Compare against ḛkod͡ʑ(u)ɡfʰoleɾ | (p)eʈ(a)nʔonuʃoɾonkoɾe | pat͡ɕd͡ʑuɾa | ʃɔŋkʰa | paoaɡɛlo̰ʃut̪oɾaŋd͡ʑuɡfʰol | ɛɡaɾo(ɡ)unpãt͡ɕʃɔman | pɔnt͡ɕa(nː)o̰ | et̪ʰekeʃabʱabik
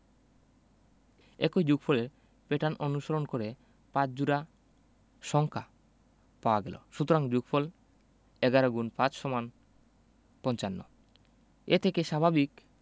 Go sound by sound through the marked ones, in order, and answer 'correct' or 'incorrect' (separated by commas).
correct, correct, correct, correct, correct